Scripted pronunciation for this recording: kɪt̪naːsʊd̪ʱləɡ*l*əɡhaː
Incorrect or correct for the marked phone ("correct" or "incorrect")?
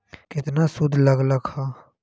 correct